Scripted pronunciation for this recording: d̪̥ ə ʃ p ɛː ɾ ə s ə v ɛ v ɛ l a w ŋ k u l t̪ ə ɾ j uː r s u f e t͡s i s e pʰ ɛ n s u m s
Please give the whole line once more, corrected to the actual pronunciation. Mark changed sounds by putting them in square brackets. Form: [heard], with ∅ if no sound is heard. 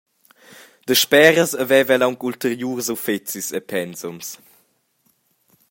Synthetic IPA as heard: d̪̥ ə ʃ p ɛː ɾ ə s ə v ɛ v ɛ l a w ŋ k u l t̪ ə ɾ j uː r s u f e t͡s i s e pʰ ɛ n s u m s